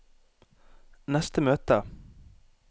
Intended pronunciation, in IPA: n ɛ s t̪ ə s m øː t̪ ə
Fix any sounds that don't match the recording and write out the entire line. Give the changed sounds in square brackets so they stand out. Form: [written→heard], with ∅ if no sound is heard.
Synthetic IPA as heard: n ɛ s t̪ ə [s→∅] m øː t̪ ə

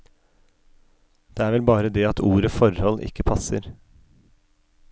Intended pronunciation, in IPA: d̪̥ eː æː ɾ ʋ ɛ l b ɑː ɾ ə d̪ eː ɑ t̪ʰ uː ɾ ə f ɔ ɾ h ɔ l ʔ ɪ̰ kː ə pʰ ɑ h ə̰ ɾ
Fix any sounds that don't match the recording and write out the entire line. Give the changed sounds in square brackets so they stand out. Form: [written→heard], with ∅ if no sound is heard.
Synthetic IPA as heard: d̪̥ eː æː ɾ ʋ ɛ l b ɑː ɾ ə d̪ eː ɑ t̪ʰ uː ɾ ə f ɔ ɾ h ɔ l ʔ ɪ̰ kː ə pʰ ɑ [h→s] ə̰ ɾ

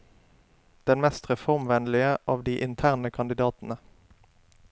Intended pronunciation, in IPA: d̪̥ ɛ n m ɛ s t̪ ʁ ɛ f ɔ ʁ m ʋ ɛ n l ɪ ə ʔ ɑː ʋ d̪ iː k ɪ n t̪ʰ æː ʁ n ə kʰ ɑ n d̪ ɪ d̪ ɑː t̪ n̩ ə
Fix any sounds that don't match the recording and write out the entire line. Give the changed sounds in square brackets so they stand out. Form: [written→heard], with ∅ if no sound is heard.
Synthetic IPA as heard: d̪̥ ɛ n m ɛ s t̪ ʁ ɛ f ɔ ʁ m ʋ ɛ n l ɪ ə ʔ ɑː ʋ d̪ iː [k→ʔ] ɪ n t̪ʰ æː ʁ n ə kʰ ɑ n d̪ ɪ d̪ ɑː t̪ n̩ ə

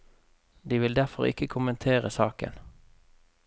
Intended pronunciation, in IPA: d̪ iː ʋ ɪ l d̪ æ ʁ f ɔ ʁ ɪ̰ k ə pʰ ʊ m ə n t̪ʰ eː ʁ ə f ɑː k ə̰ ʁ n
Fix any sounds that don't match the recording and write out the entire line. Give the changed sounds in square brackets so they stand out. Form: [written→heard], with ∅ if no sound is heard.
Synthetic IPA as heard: d̪ iː ʋ ɪ l d̪ æ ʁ f ɔ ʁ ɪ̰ k ə [pʰ→kʰ] ʊ m ə n t̪ʰ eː ʁ ə [f→s] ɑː k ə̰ [ʁ→∅] n

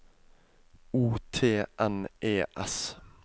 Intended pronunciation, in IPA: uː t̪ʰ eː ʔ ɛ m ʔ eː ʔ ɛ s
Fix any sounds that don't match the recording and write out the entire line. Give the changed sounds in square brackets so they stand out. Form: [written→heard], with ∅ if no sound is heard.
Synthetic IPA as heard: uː t̪ʰ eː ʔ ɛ [m→n] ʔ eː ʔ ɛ s

